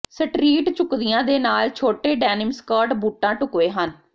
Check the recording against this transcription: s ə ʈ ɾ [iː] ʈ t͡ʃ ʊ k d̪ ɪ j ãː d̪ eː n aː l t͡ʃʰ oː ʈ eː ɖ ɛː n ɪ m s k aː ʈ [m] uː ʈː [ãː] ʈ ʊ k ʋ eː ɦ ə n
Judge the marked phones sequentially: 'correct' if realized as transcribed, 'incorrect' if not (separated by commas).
correct, incorrect, correct